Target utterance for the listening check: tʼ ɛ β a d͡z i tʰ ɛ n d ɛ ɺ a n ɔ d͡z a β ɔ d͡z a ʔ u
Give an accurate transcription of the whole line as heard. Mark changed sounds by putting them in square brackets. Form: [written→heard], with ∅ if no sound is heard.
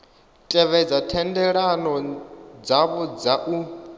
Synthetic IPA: tʼ ɛ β [a→ɛ] d͡z [i→a] tʰ ɛ n d ɛ ɺ a n ɔ d͡z a β ɔ d͡z a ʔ u

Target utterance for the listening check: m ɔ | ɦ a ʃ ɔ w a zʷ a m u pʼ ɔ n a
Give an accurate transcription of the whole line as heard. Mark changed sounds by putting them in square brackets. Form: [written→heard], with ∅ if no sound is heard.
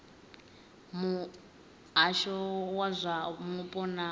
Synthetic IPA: m [ɔ→u] | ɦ a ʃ ɔ w a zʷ a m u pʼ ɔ n a

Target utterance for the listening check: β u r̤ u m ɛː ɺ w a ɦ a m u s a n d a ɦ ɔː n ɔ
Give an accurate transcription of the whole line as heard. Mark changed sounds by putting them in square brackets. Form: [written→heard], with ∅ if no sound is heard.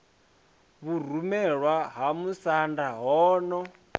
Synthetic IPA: β u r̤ u m [ɛː→ɛ] ɺ w a ɦ a m u s a n d a ɦ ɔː n ɔ

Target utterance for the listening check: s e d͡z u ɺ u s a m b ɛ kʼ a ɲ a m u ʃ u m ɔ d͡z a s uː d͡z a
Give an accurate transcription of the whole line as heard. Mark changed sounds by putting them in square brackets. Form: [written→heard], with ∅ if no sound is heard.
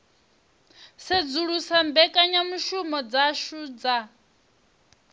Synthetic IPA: s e d͡z u ɺ u s a m b ɛ kʼ a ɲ a m u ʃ u m ɔ d͡z a [s→ʃ] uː d͡z a

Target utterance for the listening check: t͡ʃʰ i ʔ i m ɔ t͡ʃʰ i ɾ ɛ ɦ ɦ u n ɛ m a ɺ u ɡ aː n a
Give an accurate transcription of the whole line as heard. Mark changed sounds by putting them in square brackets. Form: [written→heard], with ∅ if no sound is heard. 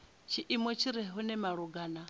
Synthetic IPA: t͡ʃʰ i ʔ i m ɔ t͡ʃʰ i ɾ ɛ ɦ ɦ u n ɛ m a ɺ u ɡ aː n a

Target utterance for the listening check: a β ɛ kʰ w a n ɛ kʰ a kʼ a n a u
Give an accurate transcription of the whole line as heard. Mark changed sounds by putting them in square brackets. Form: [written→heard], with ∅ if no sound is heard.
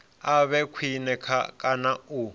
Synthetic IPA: a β ɛ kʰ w [a→i] n ɛ kʰ a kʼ a n a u

